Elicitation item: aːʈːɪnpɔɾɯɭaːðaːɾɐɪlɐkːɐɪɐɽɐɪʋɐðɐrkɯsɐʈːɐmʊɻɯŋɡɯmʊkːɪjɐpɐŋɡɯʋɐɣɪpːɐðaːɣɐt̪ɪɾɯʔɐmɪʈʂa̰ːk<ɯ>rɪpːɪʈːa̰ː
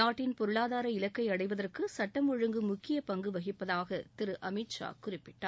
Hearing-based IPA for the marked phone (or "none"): ʊ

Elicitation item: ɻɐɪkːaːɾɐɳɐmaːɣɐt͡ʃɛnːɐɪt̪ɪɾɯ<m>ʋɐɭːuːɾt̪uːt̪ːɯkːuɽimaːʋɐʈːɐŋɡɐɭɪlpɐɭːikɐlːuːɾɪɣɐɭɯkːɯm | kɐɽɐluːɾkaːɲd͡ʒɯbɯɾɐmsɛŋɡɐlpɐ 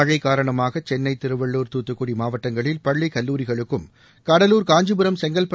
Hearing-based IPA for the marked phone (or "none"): none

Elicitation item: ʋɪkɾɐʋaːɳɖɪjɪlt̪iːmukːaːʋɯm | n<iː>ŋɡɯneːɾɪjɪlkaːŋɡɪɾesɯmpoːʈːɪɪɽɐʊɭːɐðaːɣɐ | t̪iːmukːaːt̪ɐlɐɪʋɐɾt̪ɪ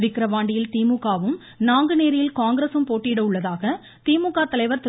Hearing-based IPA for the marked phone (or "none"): aː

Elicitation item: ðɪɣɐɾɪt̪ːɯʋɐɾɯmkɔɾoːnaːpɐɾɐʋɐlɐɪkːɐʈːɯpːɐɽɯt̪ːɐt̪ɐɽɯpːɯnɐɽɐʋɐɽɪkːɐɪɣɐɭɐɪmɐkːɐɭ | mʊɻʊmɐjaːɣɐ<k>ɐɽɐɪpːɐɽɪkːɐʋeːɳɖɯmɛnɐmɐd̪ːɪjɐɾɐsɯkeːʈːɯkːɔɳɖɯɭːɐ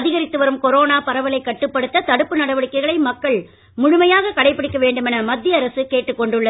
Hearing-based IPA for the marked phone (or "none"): k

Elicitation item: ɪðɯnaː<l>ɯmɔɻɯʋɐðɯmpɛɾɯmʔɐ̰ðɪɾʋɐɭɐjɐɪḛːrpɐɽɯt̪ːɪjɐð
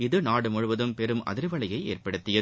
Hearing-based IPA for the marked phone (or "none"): ɽ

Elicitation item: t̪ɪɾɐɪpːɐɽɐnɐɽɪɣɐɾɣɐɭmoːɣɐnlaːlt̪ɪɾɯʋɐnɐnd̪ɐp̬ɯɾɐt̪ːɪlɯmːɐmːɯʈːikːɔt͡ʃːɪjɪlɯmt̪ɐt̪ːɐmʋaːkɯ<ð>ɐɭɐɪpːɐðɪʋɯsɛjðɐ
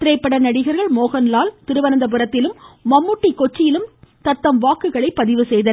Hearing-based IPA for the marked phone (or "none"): ɣ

